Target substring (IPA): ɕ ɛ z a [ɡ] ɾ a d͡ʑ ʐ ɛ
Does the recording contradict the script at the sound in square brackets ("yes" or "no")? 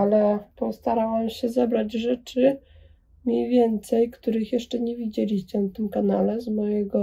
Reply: yes